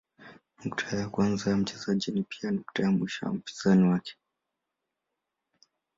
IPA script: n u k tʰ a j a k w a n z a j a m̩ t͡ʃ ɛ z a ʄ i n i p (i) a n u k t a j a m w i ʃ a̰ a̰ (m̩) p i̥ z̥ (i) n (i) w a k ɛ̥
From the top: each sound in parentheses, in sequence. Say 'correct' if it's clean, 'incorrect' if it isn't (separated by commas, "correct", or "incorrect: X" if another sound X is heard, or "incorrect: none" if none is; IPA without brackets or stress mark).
correct, correct, incorrect: a, correct